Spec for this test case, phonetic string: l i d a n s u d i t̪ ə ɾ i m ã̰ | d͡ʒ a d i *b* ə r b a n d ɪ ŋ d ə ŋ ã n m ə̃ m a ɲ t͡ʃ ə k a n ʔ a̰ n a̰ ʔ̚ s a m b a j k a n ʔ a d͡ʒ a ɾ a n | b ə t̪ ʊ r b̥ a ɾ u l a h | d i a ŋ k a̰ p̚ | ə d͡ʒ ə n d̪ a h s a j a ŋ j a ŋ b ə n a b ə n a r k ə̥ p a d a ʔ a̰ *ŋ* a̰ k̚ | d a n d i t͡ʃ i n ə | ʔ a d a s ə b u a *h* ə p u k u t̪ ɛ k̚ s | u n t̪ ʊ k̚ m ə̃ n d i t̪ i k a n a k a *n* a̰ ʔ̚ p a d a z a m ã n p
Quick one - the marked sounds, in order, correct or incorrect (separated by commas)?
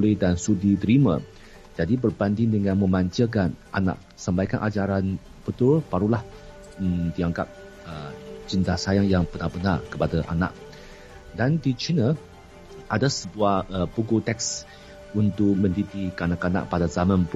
correct, incorrect, correct, correct